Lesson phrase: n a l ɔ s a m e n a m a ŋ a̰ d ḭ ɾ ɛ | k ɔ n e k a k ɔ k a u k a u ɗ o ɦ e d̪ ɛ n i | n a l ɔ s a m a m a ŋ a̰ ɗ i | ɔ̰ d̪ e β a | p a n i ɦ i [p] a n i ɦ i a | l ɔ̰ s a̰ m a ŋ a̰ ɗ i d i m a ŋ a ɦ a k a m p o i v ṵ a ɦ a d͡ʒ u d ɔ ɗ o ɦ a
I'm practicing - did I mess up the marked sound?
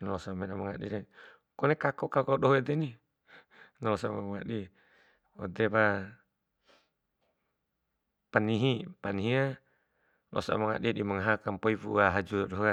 no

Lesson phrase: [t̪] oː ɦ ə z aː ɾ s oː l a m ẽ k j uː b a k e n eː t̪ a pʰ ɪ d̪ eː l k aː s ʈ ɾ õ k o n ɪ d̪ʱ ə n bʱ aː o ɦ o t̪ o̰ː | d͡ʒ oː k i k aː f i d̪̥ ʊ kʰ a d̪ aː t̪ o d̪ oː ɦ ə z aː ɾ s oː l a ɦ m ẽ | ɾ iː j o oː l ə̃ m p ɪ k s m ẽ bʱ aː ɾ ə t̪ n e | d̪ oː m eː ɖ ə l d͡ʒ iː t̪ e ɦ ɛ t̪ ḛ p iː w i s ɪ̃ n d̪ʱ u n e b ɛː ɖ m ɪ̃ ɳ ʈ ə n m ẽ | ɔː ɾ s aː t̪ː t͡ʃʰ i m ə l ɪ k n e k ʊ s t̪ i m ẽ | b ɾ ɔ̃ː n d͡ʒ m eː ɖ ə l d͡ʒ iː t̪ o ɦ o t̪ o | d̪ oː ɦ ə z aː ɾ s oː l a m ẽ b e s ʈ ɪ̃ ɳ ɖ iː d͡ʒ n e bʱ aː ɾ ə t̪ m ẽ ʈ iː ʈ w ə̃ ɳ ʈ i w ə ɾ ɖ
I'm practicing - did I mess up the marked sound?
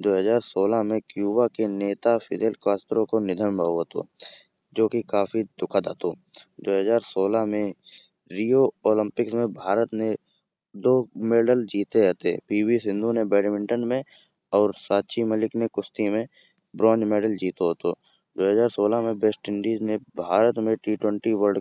yes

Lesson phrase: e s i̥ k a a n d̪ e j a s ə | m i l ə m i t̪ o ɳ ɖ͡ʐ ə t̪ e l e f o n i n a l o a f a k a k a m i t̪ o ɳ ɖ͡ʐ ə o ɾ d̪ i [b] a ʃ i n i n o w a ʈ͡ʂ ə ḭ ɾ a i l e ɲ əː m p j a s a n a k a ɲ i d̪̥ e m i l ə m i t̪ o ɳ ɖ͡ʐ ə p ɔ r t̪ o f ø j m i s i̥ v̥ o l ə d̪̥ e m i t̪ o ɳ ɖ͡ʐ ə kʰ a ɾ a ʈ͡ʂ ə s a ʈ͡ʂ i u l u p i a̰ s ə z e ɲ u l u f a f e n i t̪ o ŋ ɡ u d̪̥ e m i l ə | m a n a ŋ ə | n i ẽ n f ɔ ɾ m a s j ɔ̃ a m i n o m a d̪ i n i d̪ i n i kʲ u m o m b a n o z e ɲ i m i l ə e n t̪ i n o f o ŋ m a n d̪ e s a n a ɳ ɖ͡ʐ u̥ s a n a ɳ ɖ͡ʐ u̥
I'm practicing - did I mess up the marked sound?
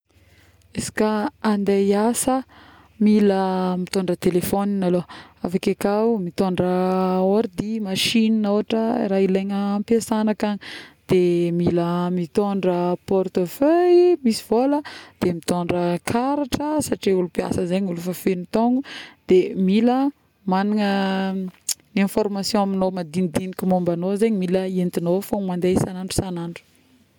yes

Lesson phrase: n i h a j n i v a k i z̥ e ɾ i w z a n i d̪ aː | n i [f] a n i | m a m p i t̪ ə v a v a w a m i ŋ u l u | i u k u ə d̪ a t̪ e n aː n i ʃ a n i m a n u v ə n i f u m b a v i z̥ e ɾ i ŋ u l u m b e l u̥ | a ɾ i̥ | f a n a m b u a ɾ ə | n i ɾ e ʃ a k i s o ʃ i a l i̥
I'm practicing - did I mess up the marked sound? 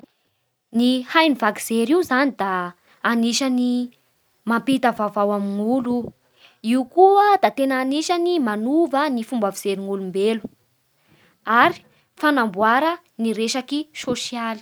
yes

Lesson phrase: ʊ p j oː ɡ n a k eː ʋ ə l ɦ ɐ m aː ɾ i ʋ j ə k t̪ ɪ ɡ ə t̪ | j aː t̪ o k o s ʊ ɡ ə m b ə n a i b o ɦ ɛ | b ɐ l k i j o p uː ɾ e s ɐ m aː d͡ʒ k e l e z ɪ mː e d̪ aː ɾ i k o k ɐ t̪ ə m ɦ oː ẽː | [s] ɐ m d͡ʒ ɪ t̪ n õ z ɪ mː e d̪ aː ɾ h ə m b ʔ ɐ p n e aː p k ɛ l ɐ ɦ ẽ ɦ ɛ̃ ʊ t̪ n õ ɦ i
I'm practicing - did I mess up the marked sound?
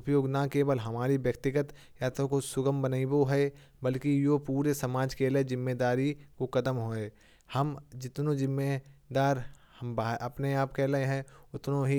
yes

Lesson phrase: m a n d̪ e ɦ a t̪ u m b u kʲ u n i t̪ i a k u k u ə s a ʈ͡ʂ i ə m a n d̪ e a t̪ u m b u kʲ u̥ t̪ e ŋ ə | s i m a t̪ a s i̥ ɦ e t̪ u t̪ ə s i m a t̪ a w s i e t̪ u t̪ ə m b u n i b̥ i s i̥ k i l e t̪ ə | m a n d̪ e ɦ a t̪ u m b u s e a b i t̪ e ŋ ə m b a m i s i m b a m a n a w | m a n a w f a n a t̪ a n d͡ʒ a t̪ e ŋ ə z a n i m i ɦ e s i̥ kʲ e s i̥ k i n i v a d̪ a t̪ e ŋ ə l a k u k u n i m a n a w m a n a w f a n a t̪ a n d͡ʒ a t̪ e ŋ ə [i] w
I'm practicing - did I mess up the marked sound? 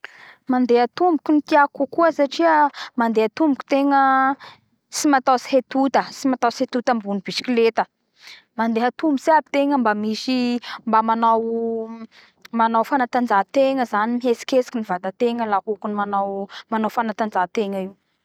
no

